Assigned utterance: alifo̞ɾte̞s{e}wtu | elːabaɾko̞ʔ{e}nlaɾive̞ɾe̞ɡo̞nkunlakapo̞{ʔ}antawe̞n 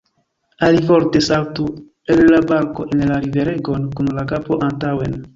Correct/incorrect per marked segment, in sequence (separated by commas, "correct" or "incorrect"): incorrect, correct, correct